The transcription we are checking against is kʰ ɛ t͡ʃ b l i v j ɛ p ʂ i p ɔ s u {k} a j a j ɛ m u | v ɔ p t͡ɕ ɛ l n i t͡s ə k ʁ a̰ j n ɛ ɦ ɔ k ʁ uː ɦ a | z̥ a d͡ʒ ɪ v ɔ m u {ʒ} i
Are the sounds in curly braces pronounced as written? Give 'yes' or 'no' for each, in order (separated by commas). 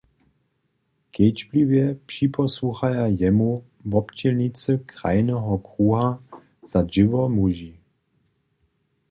no, yes